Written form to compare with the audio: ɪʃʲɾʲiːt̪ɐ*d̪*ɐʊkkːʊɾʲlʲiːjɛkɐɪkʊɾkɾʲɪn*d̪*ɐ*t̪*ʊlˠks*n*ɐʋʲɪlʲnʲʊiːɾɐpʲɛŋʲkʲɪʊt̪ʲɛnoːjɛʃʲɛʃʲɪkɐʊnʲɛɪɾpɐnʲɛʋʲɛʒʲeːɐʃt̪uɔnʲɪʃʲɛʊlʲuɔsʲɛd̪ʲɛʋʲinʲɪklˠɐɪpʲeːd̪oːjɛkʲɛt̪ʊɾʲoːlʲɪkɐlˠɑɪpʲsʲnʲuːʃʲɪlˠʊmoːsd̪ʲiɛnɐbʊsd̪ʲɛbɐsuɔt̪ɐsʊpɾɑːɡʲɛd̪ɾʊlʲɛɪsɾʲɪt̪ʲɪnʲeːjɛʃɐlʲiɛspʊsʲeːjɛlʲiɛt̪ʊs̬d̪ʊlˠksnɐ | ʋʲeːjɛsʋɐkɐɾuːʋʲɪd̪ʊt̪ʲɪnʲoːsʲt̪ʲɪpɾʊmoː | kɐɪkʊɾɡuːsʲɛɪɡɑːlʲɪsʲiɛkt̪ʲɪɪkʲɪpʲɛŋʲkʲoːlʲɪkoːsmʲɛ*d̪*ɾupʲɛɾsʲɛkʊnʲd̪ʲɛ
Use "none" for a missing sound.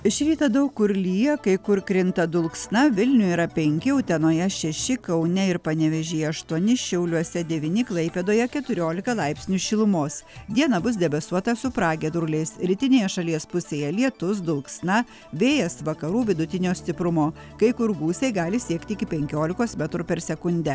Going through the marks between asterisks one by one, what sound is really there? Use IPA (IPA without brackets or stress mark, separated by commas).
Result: d̪, t̪, d̪, n, t̪